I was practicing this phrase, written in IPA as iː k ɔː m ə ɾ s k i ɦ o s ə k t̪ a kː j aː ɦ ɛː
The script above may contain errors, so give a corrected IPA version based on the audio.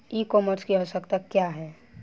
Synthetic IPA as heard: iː k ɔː m ə ɾ s k i ɦ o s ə k t̪ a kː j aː ɦ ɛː